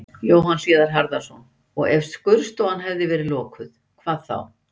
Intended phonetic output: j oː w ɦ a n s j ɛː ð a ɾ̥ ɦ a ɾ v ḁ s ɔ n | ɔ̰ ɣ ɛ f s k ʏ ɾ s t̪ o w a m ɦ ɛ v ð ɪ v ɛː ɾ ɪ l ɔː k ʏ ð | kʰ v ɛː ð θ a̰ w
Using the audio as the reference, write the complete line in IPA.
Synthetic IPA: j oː w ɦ a n s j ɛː ð a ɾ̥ ɦ a ɾ ð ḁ s ɔ n | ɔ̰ ɣ ɛ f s k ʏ ɾ s t̪ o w a n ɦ ɛ v ð ɪ v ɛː ɾ ɪ l ɔː k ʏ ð | kʰ v aː ð θ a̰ w